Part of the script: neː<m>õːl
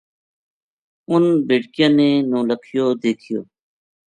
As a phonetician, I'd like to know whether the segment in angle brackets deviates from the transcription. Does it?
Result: yes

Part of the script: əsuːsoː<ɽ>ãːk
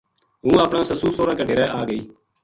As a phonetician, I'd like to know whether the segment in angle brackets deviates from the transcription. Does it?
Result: yes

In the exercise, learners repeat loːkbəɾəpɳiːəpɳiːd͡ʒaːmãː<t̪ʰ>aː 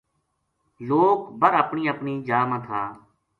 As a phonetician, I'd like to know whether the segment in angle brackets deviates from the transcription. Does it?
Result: no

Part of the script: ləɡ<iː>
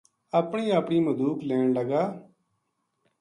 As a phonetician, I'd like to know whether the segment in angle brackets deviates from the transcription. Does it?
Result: yes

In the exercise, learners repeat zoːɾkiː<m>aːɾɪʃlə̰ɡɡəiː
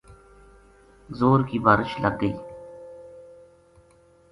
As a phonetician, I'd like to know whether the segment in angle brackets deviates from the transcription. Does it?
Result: yes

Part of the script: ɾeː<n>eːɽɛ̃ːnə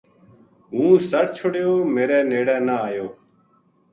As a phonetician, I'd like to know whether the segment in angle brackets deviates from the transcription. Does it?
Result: no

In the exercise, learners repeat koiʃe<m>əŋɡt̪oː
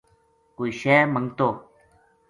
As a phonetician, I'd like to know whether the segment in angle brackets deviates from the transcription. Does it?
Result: no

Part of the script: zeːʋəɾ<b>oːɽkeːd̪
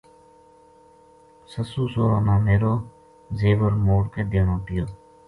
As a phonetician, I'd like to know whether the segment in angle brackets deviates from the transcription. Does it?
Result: yes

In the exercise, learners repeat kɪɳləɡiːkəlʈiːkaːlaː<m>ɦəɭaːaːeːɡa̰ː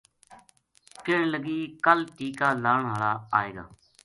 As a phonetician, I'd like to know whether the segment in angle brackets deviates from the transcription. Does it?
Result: yes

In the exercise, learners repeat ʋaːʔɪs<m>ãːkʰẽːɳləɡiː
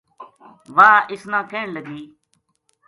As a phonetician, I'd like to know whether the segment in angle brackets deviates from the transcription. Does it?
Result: yes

